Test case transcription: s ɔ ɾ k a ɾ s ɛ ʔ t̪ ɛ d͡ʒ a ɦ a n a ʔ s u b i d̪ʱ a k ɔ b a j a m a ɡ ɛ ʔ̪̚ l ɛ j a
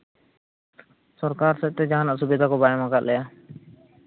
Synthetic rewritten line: s ɔ ɾ k a ɾ s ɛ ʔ t̪ ɛ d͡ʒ a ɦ a n a ʔ s u b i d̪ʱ a k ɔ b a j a m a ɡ a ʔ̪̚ l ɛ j a